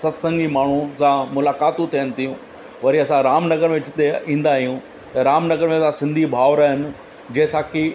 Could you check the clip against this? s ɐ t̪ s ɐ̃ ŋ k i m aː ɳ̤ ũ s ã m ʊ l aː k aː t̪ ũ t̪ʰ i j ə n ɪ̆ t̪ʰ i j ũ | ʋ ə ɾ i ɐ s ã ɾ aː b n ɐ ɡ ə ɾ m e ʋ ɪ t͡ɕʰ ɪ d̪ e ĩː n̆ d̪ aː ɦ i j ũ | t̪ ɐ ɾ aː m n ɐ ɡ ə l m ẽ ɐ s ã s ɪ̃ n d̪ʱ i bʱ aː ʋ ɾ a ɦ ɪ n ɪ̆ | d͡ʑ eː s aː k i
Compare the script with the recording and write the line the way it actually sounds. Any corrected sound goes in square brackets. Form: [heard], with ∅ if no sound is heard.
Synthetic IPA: s ɐ t̪ s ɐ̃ ŋ [ɡ] i m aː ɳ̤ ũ s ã m ʊ l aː k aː t̪ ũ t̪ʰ i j ə n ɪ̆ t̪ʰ i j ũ | ʋ [ɐ] ɾ i ɐ s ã ɾ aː [m] n ɐ ɡ ə ɾ m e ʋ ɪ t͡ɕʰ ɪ [t̪] e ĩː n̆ d̪ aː ɦ i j ũ | t̪ ɐ ɾ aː m n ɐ ɡ ə [ɾ] m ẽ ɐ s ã s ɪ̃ n d̪ʱ i bʱ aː ʋ ɾ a ɦ ɪ n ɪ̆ | d͡ʑ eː s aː k i